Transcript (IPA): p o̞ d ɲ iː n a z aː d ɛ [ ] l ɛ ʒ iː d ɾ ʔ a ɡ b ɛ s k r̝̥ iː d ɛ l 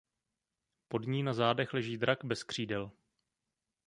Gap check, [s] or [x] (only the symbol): x